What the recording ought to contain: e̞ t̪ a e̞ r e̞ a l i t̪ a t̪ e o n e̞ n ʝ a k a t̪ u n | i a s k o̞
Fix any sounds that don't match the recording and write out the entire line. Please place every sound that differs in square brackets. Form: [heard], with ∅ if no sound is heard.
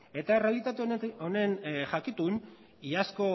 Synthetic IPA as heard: e̞ t̪ a e̞ r e̞ a l i t̪ a t̪ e o n e̞ n ʝ a k [i] t̪ u n | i a s k o̞